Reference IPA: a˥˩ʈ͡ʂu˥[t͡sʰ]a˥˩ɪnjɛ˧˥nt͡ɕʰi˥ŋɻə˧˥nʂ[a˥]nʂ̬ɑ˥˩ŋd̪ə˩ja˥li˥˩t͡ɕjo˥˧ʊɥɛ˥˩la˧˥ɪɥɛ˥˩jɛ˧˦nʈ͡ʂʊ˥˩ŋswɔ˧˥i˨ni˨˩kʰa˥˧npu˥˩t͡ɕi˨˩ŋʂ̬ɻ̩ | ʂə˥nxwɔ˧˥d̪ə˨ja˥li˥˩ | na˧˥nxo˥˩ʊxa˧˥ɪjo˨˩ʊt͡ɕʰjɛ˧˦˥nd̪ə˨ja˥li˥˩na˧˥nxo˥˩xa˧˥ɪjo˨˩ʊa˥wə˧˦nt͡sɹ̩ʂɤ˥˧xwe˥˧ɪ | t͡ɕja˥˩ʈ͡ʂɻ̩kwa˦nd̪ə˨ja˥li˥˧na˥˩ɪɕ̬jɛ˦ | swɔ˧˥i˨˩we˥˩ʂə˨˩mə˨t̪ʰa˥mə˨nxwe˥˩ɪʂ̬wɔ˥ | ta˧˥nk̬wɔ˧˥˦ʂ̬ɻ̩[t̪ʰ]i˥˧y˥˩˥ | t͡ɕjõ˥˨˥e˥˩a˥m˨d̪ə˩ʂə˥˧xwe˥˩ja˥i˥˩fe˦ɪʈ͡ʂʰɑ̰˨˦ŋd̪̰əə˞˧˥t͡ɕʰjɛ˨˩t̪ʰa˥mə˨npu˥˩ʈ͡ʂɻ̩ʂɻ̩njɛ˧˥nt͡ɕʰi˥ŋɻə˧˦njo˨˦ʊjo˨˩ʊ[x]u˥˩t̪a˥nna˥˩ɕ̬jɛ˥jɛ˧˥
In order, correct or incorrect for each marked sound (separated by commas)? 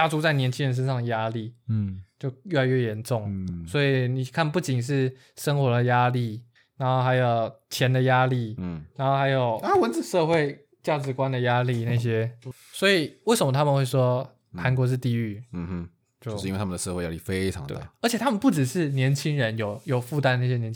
incorrect, incorrect, incorrect, incorrect